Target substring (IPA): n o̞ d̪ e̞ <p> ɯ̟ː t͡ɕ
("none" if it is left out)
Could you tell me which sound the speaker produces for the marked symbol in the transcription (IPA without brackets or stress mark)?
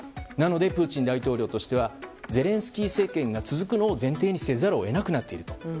p